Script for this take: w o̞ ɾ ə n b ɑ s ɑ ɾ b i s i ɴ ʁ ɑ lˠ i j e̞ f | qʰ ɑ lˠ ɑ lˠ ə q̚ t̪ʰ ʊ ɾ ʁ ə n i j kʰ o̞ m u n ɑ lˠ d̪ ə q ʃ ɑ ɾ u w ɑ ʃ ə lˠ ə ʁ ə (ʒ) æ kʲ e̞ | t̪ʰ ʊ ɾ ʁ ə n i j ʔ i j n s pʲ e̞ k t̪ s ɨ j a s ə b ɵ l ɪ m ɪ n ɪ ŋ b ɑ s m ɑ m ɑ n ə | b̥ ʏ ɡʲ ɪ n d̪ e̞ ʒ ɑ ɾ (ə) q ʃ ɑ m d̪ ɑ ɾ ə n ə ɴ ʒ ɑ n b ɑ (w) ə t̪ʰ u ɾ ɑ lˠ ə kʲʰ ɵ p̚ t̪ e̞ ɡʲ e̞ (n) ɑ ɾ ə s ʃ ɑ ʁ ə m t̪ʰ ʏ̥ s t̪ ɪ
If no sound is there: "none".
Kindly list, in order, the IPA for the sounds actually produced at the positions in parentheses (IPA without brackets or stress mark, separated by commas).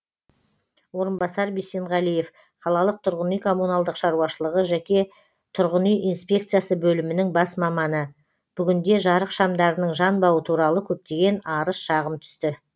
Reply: ʒ, ə, w, n